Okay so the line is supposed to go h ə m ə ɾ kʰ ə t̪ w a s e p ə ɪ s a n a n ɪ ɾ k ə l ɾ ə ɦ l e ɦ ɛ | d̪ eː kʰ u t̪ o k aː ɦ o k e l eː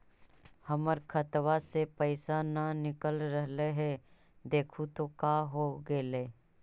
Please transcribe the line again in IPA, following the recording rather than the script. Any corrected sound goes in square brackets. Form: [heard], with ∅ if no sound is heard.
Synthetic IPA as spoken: h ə m ə ɾ kʰ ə t̪ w a s e p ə ɪ s a n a n ɪ [∅] k ə l ɾ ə ɦ l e ɦ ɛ | d̪ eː kʰ u t̪ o k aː ɦ o [ɡ] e l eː